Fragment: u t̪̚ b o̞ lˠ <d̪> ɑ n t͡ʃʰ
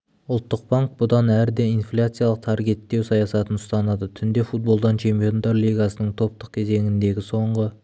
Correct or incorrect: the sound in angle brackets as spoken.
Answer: correct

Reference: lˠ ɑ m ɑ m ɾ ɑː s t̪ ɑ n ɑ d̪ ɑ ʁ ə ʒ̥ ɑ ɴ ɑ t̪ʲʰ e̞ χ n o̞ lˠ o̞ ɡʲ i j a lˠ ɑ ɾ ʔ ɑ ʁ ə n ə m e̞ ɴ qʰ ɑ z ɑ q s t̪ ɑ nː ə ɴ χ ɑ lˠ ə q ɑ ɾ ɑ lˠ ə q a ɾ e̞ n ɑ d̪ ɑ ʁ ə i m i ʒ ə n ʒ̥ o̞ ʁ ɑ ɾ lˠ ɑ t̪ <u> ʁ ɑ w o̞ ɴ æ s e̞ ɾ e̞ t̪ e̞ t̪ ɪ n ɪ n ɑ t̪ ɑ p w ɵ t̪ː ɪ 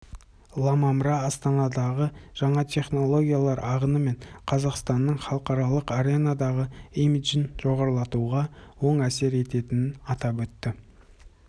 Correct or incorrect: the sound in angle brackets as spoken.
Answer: correct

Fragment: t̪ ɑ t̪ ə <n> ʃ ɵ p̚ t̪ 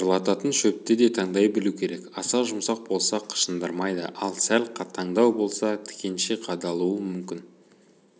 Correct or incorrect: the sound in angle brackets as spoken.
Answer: correct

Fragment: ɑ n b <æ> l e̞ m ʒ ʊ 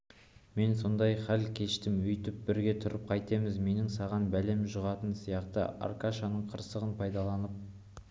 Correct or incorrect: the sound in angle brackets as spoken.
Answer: correct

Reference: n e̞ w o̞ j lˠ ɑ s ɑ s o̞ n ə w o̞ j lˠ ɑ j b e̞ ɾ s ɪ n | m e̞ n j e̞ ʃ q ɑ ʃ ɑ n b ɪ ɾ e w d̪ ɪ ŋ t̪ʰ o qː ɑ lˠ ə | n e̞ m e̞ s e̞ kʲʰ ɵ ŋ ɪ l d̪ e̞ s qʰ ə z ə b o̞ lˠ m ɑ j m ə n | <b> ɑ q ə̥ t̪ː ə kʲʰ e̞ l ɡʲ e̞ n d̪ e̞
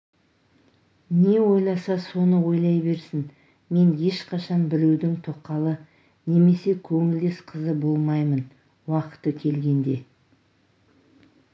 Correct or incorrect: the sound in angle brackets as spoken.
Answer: incorrect: w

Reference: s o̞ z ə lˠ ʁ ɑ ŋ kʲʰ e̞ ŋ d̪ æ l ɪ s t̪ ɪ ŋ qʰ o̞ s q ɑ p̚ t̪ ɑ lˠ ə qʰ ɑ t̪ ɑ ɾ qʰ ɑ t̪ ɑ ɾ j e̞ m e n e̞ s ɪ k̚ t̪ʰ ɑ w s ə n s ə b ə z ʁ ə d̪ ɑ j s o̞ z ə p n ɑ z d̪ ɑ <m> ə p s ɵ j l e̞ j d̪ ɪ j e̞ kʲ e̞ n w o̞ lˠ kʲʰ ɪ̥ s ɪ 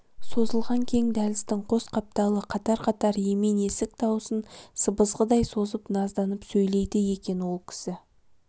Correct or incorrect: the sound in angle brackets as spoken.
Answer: incorrect: n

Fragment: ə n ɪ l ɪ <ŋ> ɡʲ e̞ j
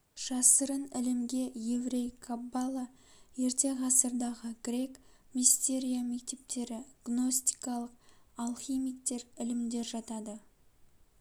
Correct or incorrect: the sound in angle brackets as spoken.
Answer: incorrect: m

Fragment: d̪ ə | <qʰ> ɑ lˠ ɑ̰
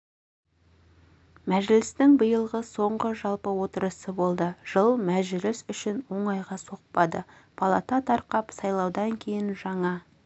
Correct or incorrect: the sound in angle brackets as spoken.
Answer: incorrect: pʰ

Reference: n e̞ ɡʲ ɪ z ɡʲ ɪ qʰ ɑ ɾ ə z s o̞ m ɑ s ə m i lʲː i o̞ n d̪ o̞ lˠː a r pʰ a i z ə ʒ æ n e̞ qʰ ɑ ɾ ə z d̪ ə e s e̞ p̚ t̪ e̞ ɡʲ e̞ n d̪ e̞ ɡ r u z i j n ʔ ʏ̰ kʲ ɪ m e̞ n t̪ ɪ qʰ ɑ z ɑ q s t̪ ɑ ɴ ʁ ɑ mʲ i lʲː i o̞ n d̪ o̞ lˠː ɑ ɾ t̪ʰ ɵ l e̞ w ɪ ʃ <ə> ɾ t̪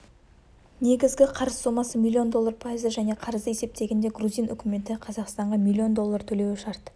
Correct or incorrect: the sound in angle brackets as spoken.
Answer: incorrect: ɑ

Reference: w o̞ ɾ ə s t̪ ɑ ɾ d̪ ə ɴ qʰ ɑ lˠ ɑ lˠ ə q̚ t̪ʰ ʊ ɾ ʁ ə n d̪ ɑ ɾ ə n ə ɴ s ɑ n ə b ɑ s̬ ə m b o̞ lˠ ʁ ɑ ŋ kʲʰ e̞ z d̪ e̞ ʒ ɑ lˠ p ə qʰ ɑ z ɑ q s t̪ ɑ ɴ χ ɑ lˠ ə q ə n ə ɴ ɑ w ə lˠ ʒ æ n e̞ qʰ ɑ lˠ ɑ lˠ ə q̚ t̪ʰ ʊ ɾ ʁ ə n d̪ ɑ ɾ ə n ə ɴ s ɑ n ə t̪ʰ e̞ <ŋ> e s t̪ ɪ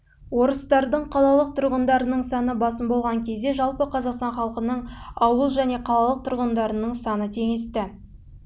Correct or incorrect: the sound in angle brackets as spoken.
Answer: correct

